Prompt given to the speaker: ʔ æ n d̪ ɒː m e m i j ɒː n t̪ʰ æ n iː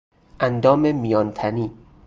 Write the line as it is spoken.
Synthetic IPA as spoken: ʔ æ n d̪ ɒː m e m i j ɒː n t̪ʰ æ n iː